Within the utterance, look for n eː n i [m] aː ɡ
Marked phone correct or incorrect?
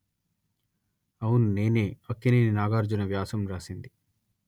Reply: incorrect